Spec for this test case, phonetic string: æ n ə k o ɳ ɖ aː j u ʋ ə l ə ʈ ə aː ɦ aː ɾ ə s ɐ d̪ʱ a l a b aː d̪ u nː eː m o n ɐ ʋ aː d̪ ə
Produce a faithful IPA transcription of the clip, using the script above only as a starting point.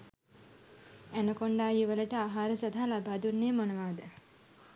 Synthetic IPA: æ n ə k o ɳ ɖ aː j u ʋ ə l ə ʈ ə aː ɦ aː ɾ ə s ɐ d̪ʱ a l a b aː d̪ u nː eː m o n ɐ ʋ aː d̪ ə